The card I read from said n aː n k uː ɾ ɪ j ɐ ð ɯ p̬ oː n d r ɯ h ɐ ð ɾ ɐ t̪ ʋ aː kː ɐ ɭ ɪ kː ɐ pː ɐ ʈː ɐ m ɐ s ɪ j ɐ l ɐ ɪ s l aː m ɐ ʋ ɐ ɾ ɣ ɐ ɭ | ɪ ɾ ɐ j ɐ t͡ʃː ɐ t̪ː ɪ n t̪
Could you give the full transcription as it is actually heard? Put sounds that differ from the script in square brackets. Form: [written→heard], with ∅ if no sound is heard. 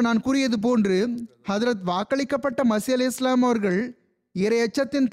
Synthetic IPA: n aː n k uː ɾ ɪ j ɐ ð ɯ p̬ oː n d r ɯ h ɐ ð ɾ ɐ t̪ ʋ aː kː ɐ ɭ ɪ kː ɐ pː ɐ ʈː ɐ m ɐ s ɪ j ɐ l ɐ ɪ s l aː m ɐ ʋ ɐ ɾ ɣ ɐ ɭ | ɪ ɾ ɐ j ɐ t͡ʃː ɐ t̪ː ɪ n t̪